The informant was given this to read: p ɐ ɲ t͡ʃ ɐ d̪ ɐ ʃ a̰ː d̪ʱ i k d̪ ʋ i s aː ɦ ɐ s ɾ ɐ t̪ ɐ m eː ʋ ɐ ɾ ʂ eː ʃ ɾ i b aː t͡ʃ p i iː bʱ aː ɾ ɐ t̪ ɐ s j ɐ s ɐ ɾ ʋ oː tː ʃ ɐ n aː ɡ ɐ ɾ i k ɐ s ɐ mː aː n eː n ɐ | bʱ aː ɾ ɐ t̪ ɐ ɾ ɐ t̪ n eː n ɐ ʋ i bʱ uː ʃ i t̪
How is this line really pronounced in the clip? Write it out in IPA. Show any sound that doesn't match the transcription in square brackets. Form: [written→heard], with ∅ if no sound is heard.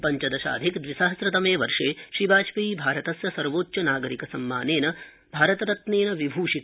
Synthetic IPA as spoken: p ɐ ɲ t͡ʃ ɐ d̪ ɐ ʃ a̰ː d̪ʱ i k d̪ ʋ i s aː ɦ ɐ s ɾ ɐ t̪ ɐ m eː ʋ ɐ ɾ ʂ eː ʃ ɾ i b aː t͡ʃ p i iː bʱ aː ɾ ɐ t̪ ɐ s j ɐ s ɐ ɾ ʋ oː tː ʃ ɐ n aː ɡ ɐ ɾ i k ɐ s ɐ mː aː n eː n ɐ | bʱ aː ɾ ɐ t̪ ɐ ɾ ɐ t̪ n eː n ɐ ʋ i bʱ uː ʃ i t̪

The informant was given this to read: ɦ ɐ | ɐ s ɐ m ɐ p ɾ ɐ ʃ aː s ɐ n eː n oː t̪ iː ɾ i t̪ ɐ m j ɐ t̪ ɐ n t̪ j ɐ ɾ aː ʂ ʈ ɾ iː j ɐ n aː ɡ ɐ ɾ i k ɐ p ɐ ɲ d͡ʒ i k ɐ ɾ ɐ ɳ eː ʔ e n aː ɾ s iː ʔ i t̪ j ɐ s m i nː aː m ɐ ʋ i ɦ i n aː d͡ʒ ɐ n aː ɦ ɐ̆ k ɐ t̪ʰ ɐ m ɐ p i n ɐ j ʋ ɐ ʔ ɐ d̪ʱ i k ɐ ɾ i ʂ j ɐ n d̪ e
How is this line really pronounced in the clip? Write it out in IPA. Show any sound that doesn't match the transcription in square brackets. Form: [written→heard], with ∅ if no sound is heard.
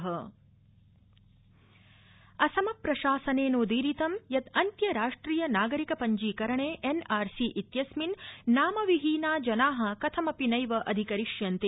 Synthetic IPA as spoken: ɦ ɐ | ɐ s ɐ m ɐ p ɾ ɐ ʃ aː s ɐ n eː n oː [t̪→d̪] iː ɾ i t̪ ɐ m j ɐ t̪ ɐ n t̪ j ɐ ɾ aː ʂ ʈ ɾ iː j ɐ n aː ɡ ɐ ɾ i k ɐ p ɐ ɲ d͡ʒ [i→iː] k ɐ ɾ ɐ ɳ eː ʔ e n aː ɾ s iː ʔ i t̪ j ɐ s m i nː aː m ɐ ʋ i ɦ [i→iː] n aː d͡ʒ ɐ n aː ɦ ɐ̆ k ɐ t̪ʰ ɐ m ɐ p i n ɐ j ʋ ɐ ʔ ɐ d̪ʱ i k ɐ ɾ i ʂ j ɐ n [d̪→t̪] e

